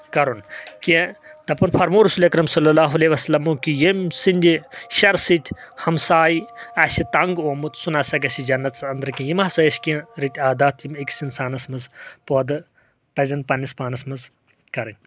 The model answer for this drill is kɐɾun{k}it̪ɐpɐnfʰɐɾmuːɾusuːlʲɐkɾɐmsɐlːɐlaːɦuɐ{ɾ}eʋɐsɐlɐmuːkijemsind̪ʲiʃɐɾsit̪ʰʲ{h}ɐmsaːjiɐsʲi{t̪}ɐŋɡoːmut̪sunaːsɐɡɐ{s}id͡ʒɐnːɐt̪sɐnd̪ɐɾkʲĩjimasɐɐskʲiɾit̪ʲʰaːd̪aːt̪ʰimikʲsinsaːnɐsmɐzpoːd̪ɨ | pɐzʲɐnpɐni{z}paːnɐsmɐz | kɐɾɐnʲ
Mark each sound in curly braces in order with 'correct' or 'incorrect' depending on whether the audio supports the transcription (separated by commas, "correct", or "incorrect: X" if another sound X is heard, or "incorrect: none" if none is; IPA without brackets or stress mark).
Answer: correct, incorrect: l, correct, correct, correct, incorrect: s